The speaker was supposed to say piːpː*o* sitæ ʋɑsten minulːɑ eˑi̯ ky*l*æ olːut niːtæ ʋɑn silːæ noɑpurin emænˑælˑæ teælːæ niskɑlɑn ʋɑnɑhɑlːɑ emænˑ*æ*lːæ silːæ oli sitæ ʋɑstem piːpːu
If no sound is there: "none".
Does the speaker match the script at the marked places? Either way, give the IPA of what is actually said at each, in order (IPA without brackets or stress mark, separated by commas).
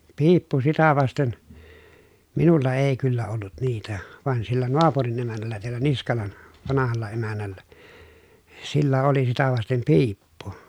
u, lː, æ